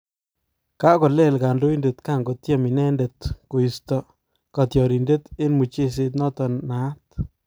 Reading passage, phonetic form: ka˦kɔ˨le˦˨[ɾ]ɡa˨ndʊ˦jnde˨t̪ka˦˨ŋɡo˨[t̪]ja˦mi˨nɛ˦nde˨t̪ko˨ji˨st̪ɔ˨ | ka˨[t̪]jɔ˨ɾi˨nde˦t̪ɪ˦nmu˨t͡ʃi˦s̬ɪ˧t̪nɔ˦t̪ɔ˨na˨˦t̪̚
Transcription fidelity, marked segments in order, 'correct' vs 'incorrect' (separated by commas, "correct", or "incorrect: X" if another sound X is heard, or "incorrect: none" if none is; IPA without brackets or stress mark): incorrect: l, correct, correct